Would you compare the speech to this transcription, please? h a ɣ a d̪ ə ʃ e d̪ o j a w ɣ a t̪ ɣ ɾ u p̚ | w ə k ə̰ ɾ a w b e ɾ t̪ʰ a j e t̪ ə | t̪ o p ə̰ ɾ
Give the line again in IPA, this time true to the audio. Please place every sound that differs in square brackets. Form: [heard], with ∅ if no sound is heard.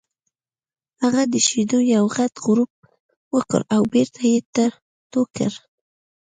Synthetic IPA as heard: h a ɣ a d̪ ə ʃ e d̪ o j a w ɣ a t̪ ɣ ɾ u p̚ | w ə k ə̰ ɾ a w b e ɾ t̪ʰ a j e t̪ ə | t̪ o [k] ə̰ ɾ